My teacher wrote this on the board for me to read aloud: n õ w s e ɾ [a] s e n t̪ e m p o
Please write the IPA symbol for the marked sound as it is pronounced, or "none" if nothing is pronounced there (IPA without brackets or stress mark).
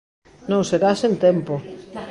a